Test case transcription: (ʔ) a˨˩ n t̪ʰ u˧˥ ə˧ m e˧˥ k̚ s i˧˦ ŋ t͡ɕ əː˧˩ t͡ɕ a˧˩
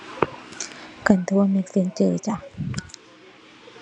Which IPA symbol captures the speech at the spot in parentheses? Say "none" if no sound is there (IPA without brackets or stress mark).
k